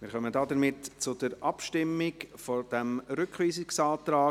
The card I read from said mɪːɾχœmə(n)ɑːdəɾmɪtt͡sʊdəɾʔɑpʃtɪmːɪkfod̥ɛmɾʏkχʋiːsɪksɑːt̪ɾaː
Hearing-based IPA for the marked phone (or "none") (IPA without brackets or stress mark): d